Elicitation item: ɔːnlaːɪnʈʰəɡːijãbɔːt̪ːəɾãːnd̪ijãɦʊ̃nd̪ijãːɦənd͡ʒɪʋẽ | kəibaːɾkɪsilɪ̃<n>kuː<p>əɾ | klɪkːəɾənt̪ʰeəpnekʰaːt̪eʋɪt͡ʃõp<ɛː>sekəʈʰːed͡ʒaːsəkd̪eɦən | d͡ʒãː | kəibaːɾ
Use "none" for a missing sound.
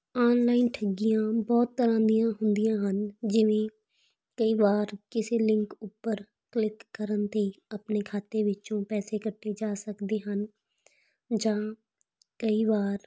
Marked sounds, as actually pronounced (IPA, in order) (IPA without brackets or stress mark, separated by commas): ŋ, p, ɛː